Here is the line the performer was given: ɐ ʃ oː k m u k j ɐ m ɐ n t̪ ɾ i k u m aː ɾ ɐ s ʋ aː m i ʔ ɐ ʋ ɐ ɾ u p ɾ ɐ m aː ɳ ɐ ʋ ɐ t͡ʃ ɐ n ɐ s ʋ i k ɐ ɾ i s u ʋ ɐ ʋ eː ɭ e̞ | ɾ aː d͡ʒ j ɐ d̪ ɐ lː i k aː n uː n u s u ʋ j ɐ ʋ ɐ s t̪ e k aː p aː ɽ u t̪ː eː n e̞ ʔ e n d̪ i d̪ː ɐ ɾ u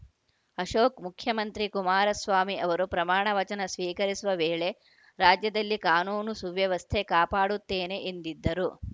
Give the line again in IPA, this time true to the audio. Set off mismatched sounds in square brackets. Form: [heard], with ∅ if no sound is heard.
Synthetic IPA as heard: ɐ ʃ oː k m u [kʰ] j ɐ m ɐ n t̪ ɾ i k u m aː ɾ ɐ s ʋ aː m i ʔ ɐ ʋ ɐ ɾ u p ɾ ɐ m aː ɳ ɐ ʋ ɐ t͡ʃ ɐ n ɐ s ʋ [iː] k ɐ ɾ i s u ʋ ɐ ʋ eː ɭ e̞ | ɾ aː d͡ʒ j ɐ d̪ ɐ lː i k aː n uː n u s u ʋ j ɐ ʋ ɐ s [t̪ʰ] e k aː p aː ɽ u t̪ː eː n e̞ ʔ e n d̪ i d̪ː ɐ ɾ u